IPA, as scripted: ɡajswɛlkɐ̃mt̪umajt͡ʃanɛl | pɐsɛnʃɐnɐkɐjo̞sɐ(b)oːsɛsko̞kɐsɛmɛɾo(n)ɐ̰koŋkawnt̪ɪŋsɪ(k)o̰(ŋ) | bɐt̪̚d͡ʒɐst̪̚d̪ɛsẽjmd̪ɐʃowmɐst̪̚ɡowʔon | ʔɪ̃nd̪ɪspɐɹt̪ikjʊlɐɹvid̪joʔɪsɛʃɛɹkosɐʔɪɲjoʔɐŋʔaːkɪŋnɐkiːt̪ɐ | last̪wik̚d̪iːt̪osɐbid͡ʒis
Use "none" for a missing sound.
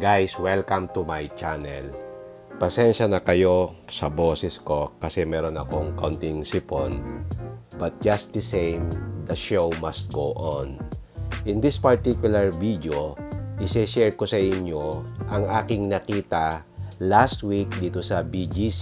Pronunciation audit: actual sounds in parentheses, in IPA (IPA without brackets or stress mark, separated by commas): b, n, p, n